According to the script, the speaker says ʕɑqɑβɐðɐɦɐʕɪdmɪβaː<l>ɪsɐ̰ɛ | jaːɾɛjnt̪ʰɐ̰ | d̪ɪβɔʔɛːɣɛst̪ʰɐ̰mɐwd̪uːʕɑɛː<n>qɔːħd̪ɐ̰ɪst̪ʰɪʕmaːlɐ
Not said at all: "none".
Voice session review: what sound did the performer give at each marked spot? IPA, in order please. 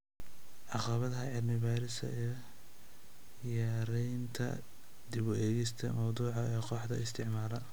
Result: ɾ, none

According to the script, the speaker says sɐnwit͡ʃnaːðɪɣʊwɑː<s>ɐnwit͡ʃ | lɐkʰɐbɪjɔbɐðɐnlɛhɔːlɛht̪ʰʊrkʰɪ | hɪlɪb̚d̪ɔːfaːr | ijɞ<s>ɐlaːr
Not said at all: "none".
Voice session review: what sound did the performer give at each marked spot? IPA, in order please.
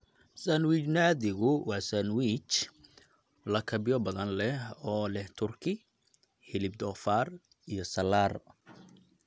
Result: s, s

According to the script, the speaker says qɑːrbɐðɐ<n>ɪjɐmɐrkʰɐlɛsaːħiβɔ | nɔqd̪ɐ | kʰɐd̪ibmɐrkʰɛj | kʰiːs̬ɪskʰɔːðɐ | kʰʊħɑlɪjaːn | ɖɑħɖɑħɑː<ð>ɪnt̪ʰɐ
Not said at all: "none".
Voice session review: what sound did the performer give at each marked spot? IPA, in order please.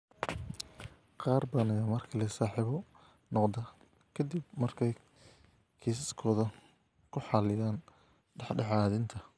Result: n, ð

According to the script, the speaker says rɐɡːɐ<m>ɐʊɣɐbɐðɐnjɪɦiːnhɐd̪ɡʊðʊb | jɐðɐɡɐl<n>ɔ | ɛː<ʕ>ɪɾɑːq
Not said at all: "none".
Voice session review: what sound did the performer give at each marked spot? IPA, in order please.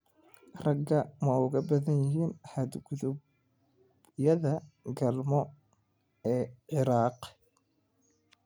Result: m, m, ʕ

